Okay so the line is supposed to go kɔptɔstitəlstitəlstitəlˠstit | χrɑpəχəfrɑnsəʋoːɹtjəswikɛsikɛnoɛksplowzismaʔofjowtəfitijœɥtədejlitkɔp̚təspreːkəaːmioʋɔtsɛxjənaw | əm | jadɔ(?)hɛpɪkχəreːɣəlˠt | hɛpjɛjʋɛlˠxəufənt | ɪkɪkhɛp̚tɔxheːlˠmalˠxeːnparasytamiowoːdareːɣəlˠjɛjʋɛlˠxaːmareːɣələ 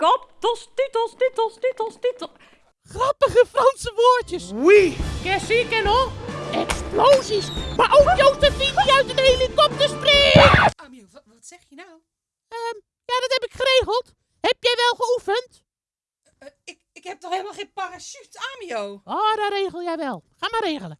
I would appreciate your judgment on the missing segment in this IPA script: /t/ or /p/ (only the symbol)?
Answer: t